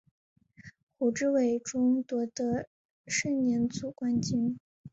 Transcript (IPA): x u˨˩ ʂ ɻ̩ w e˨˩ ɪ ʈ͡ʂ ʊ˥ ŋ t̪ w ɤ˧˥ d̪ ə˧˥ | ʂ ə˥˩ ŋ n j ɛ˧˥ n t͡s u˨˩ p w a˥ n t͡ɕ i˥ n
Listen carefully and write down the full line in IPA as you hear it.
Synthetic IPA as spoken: x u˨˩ ʈ͡ʂ ɻ̩ w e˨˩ ɪ ʈ͡ʂ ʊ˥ ŋ t̪ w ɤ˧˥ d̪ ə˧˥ | ʂ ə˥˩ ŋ n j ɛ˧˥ n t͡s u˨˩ k w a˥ n t͡ɕ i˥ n